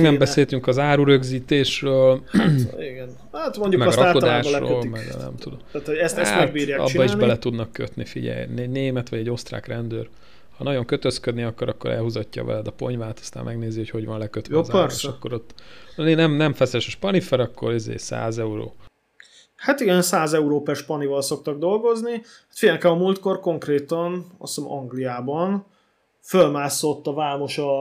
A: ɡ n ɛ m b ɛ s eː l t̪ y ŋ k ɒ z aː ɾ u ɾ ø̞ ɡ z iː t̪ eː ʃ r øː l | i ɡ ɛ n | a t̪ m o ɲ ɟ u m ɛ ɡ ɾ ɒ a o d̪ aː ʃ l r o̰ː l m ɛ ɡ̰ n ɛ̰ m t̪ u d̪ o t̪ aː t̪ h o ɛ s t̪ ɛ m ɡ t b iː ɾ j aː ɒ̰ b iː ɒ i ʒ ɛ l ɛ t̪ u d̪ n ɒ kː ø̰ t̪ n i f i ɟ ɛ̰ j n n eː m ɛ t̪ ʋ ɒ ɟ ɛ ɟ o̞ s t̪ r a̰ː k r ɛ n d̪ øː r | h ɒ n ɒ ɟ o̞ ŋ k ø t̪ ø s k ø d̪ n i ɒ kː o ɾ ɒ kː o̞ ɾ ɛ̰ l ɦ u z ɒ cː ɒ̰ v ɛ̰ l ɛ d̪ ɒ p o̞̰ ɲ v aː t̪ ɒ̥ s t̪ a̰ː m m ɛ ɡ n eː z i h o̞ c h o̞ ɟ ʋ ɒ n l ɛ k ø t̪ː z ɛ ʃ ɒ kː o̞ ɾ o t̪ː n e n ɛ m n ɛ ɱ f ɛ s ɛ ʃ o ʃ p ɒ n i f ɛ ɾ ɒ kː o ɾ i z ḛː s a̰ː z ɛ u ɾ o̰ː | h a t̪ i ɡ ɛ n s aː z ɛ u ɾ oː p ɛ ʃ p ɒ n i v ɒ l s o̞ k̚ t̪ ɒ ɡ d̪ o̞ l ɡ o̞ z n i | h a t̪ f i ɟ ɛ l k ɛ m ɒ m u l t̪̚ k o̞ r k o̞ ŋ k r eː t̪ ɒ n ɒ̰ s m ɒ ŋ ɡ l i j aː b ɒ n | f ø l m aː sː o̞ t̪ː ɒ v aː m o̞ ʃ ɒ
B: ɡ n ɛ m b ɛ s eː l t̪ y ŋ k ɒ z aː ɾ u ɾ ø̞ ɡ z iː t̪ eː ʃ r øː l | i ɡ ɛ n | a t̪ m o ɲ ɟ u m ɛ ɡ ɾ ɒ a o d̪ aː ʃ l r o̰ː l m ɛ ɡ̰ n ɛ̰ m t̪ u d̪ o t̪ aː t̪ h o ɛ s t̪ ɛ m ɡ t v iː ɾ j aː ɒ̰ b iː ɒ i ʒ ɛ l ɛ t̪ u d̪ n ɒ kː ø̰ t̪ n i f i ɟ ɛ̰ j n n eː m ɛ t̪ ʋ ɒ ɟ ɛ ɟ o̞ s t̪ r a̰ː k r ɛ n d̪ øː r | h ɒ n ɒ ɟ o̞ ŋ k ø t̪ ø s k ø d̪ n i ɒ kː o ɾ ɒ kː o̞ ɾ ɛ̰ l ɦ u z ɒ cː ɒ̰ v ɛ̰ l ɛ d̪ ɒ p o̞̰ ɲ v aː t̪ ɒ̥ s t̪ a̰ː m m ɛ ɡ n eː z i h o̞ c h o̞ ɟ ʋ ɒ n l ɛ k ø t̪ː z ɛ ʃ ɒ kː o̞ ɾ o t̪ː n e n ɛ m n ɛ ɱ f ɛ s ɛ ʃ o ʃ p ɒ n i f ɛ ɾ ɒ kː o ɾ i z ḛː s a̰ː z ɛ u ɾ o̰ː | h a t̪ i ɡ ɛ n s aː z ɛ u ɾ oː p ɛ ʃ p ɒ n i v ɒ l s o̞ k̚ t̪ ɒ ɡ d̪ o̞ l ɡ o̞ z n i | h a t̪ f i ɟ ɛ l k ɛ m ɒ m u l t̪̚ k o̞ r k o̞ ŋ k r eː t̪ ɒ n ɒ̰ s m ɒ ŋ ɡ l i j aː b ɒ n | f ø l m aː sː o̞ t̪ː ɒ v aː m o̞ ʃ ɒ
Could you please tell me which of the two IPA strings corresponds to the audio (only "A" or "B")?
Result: A